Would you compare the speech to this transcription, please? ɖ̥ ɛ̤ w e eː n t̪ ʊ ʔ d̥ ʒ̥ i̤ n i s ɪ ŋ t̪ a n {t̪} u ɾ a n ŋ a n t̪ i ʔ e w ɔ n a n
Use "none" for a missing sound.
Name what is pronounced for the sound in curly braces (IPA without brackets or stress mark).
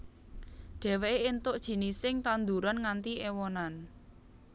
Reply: d̪